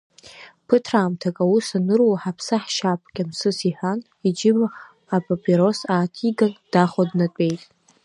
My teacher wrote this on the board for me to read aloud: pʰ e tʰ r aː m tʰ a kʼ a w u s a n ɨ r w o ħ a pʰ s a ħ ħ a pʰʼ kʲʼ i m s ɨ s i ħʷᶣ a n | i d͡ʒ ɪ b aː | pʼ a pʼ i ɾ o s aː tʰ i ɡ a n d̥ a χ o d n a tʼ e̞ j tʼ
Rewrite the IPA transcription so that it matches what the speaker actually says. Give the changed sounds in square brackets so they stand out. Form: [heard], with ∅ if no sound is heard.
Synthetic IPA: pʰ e tʰ r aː m tʰ a kʼ a w u s a n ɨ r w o ħ a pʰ s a ħ [ʃ] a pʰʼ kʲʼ [a] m s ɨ s i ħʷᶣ a n | i d͡ʒ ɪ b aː | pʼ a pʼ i ɾ o s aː tʰ i ɡ a n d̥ a χ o d n a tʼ e̞ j tʼ